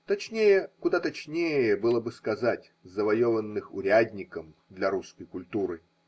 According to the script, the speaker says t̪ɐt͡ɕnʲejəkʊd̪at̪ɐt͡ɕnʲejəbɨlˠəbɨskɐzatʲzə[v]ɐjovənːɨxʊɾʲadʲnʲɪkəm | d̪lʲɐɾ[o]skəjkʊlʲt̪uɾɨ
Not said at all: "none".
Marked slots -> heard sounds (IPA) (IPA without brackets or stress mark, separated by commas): v, u